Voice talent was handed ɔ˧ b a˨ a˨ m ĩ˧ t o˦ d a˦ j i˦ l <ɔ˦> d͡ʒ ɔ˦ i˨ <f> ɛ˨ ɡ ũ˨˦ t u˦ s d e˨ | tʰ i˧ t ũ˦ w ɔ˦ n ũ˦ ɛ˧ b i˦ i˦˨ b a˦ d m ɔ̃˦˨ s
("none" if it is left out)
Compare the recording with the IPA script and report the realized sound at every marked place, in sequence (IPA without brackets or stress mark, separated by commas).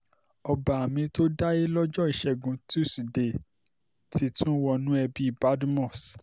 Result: ɔ˦, ʃ